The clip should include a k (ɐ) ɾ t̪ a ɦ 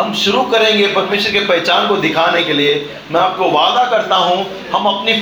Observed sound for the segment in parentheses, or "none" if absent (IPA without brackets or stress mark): ɐ